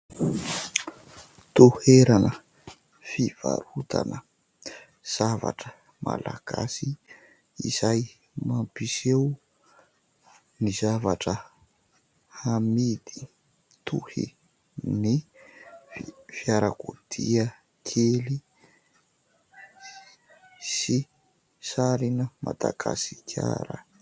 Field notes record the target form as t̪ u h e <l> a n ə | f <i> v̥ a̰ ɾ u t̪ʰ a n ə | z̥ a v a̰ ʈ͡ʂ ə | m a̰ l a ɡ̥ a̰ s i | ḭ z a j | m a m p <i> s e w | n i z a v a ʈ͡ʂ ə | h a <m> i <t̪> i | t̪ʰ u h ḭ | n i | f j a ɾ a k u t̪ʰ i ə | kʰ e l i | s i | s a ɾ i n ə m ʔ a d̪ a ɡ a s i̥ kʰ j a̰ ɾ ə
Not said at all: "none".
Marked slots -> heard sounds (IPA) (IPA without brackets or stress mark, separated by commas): ɾ, i, i, m, d̪